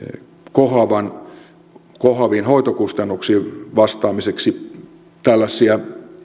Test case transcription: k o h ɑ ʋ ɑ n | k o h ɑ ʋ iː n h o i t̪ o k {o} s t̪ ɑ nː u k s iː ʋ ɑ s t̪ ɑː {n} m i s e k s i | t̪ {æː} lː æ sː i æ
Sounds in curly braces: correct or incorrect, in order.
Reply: incorrect: u, incorrect: none, incorrect: æ

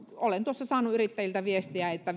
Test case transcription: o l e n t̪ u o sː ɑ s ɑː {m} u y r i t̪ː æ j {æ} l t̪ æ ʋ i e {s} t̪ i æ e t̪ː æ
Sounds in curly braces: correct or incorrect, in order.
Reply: incorrect: n, incorrect: i, correct

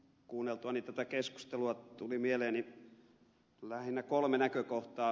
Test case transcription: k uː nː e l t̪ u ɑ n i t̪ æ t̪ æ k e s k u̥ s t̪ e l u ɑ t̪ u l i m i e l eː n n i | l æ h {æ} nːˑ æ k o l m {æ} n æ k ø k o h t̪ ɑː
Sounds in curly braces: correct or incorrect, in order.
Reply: incorrect: i, incorrect: e

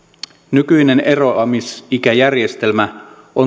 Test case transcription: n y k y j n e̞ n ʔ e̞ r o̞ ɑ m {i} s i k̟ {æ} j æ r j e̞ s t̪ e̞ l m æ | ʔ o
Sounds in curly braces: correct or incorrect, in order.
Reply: correct, correct

